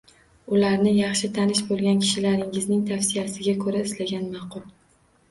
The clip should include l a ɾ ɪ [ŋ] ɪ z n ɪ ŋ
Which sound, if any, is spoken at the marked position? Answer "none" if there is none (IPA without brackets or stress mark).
ŋ